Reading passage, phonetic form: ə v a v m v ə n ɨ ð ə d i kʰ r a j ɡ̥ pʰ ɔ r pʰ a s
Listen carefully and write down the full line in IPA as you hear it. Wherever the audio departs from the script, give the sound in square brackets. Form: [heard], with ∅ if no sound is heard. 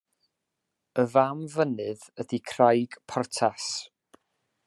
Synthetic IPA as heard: ə v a [∅] m v ə n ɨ ð ə d i kʰ r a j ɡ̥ pʰ ɔ r [tʰ] a s